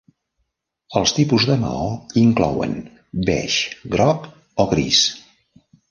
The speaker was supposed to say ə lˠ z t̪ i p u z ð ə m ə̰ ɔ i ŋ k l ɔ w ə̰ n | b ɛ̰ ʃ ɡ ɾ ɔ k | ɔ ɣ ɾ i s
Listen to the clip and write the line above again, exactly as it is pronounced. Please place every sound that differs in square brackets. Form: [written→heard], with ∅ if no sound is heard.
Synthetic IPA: ə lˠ [z→s] t̪ i p u z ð ə m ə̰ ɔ i ŋ k l ɔ w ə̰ n | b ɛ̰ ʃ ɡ ɾ ɔ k | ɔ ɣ ɾ i s